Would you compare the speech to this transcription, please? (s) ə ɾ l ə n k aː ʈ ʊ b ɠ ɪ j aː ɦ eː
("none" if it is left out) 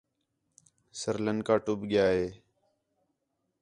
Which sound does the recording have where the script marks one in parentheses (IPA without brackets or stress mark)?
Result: s